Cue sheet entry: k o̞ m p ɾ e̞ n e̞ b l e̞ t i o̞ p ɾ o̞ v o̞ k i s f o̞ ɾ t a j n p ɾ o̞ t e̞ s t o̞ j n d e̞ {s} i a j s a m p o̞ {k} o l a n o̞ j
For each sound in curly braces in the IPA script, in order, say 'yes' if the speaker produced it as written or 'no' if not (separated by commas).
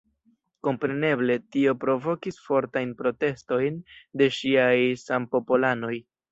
no, no